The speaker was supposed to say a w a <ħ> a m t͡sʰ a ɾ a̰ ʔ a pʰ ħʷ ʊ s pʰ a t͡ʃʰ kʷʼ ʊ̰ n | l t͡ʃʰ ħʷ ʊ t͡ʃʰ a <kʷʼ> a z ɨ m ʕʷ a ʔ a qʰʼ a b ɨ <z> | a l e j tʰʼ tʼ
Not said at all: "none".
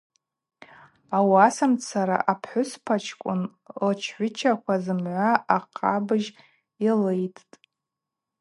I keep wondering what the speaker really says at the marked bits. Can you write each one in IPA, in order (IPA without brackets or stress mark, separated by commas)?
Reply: s, kʷ, ʒ